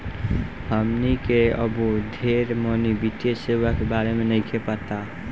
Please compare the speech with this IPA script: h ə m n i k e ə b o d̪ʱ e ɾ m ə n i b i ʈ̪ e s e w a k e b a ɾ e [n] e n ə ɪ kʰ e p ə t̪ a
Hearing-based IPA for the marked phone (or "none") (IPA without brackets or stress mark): m